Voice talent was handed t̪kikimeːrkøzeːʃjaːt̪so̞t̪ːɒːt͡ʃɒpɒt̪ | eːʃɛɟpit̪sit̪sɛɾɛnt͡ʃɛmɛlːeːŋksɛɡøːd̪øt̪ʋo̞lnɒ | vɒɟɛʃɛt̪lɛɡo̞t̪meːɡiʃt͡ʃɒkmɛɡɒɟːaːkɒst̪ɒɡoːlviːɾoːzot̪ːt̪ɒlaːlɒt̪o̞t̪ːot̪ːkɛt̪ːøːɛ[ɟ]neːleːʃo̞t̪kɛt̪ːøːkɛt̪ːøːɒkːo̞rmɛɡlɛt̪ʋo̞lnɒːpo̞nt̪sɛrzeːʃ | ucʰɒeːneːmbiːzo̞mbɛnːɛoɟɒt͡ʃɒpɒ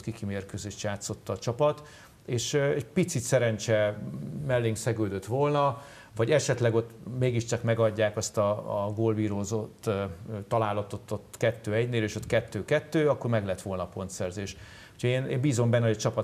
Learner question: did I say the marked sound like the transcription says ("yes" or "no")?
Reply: yes